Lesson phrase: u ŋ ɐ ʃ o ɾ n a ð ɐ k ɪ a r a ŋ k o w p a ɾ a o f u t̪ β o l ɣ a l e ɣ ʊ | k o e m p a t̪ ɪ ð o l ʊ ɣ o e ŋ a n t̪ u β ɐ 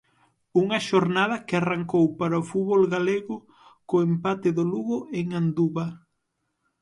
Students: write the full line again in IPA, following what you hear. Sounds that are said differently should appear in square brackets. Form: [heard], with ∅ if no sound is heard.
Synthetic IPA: u ŋ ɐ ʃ o ɾ n a ð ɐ k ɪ a r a ŋ k o w p a ɾ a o f u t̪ β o l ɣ a l e ɣ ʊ | k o e m p a t̪ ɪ ð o l [u] ɣ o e ŋ a n [d̪] u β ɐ